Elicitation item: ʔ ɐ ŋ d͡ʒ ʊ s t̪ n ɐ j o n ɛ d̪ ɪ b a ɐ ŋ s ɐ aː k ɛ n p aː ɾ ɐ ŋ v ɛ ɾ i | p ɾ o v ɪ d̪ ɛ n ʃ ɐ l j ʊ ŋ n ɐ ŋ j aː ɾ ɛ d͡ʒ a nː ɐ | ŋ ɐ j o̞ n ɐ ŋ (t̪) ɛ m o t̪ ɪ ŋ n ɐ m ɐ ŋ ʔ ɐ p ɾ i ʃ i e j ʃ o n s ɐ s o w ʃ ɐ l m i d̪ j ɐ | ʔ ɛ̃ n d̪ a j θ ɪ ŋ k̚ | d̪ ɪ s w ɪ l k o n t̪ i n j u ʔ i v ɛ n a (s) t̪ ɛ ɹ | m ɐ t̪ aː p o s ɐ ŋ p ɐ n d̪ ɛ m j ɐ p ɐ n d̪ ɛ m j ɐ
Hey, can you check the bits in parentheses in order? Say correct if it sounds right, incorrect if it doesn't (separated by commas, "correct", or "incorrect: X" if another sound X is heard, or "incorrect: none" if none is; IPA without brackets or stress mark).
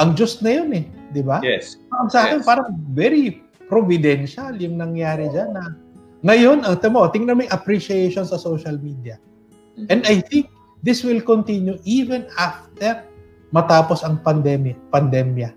correct, incorrect: f